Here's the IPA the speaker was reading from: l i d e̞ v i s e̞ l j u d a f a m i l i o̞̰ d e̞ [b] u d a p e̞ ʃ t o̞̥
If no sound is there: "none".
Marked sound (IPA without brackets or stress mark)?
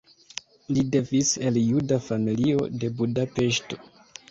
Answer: b